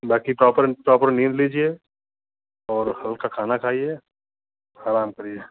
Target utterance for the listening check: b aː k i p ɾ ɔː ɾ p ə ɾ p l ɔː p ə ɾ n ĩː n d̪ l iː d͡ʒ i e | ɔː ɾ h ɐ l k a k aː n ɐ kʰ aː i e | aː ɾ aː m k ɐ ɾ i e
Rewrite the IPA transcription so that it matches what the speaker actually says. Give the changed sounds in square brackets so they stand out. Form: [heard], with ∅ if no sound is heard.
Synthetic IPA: b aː k i p ɾ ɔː [∅] p ə ɾ p [ɾ] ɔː p ə ɾ n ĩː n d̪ l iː d͡ʒ i e | ɔː ɾ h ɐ l k a [kʰ] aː n [a] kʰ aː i e | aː ɾ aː m k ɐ ɾ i e